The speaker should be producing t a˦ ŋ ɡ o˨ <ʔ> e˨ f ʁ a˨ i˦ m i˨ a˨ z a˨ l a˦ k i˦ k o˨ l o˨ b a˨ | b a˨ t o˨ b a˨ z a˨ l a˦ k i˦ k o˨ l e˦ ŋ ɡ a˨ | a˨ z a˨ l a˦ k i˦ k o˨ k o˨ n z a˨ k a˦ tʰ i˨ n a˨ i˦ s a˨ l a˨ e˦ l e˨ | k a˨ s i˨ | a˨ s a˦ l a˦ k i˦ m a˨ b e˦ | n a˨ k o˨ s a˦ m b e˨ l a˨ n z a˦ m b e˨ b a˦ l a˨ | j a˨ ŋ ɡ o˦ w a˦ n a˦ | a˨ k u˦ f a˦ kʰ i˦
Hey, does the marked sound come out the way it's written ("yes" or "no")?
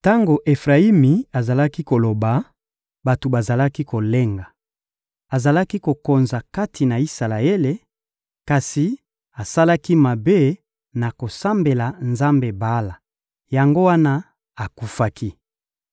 yes